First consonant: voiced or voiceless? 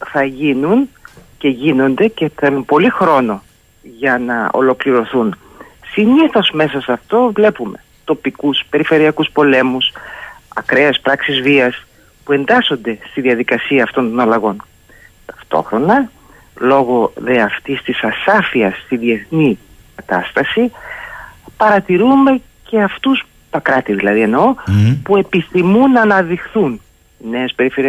voiceless